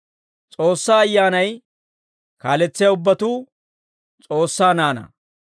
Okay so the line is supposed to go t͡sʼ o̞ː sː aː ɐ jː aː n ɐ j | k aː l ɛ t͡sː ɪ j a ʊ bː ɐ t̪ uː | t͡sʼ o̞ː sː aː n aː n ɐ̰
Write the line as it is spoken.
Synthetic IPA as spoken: t͡sʼ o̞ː sː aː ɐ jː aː n ɐ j | k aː l ɛ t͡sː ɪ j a ʊ bː ɐ t̪ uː | t͡sʼ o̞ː sː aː n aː n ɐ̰